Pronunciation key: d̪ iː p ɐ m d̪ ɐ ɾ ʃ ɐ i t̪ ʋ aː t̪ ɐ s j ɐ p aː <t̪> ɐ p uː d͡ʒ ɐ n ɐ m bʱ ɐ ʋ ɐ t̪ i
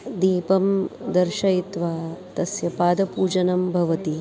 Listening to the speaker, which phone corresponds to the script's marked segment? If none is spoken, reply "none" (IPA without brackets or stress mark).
d̪